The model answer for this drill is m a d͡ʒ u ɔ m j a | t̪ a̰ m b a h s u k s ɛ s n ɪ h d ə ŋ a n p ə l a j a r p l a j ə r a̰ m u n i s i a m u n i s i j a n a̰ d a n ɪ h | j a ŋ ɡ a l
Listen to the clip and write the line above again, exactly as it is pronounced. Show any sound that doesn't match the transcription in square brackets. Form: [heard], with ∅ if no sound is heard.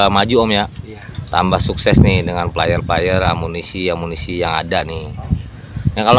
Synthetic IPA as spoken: m a d͡ʒ u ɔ m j a | t̪ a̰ m b a h s u k s ɛ s n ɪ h d ə ŋ a n p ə l a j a r p l a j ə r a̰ m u n i s i a m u n i s i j a [ŋ] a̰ d a n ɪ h | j a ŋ [k] a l